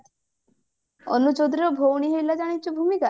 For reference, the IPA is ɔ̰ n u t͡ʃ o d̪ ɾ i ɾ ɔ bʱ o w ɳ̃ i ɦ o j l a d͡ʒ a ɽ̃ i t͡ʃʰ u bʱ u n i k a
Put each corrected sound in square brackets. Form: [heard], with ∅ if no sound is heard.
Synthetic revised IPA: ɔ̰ n u t͡ʃ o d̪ ɾ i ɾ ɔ bʱ o w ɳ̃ i ɦ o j l a d͡ʒ a ɽ̃ i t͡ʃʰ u bʱ u [m] i k a